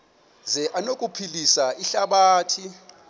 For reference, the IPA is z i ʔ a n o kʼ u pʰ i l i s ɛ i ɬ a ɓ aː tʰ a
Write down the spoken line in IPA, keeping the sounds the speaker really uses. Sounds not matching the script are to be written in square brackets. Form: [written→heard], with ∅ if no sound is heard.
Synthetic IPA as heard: z [i→ɛ] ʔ a n o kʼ u pʰ i l i s [ɛ→a] i ɬ a ɓ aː tʰ [a→i]